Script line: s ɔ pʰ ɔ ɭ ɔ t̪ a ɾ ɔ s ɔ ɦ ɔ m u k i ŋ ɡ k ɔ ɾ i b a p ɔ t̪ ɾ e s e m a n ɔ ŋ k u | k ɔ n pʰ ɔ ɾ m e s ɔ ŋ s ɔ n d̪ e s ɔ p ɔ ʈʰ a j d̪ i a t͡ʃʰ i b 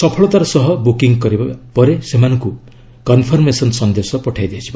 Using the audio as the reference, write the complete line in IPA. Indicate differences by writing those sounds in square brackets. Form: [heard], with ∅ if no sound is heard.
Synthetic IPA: s ɔ pʰ ɔ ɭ ɔ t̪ a ɾ ɔ s ɔ ɦ ɔ [b] u k i ŋ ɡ k ɔ ɾ i b a p ɔ [∅] ɾ e s e m a n ɔ ŋ k u | k ɔ n pʰ ɔ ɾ m e s ɔ [n] s ɔ n d̪ e s ɔ p ɔ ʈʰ a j d̪ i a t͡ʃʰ i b